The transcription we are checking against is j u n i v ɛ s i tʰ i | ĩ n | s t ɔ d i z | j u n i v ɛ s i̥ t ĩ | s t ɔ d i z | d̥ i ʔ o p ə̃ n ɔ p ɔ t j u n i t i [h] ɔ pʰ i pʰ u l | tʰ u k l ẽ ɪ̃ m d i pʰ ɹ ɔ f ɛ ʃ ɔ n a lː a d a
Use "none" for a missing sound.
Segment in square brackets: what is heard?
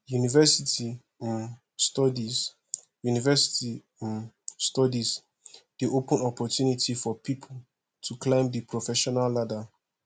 f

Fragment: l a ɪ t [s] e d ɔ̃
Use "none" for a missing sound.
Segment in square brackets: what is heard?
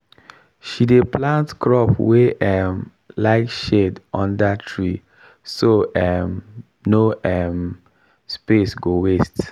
ʃ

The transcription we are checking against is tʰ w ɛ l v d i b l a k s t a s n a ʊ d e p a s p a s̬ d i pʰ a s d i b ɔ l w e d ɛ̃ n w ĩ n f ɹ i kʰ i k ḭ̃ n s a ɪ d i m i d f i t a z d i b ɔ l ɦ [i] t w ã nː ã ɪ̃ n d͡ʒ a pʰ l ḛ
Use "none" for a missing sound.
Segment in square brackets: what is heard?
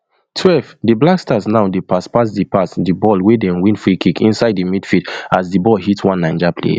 i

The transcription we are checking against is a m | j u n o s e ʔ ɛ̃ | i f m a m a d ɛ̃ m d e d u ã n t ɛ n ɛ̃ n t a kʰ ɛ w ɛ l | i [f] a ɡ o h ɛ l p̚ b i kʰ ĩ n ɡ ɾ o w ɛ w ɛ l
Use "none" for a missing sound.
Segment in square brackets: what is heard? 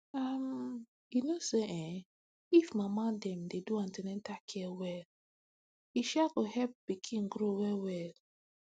ʃ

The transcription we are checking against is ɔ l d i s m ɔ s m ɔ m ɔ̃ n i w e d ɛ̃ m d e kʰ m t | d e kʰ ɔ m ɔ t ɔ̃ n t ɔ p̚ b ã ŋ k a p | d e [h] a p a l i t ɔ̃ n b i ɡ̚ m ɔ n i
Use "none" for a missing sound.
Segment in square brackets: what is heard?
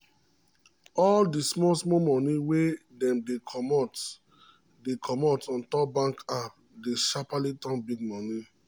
ʃ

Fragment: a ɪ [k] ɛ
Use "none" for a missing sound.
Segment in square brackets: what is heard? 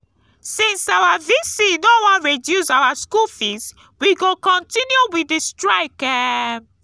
k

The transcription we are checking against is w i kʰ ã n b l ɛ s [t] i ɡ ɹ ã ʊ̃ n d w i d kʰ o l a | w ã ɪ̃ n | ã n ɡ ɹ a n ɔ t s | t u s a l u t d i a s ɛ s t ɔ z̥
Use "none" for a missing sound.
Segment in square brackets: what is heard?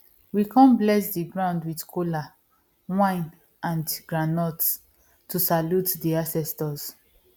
d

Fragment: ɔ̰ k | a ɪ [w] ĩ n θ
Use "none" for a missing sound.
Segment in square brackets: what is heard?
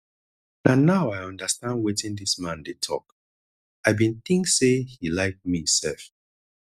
b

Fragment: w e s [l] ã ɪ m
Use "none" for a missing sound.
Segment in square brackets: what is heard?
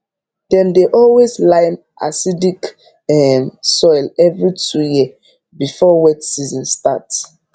l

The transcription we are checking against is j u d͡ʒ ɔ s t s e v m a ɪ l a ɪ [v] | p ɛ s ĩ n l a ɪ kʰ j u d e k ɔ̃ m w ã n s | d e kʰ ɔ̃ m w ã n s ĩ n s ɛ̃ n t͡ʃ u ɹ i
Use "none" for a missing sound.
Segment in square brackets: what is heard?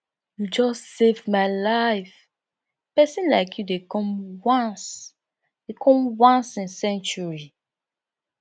f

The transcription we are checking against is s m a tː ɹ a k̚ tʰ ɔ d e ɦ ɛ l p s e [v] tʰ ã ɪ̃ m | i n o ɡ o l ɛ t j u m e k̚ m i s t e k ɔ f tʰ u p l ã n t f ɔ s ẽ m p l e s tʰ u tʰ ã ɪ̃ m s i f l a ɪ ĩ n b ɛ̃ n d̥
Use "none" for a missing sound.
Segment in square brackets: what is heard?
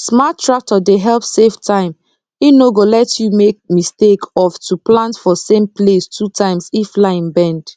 f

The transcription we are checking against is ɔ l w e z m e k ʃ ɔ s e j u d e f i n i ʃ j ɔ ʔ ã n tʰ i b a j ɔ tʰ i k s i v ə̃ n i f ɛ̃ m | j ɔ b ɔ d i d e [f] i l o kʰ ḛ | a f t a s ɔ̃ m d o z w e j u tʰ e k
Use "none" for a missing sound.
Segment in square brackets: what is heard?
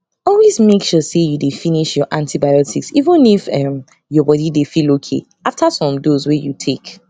f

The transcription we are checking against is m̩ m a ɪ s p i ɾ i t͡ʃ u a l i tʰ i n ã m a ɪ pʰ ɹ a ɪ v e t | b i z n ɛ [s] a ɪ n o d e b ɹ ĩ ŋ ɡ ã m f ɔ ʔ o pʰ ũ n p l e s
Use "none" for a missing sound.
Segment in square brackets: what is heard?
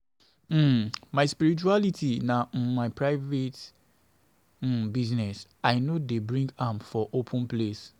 s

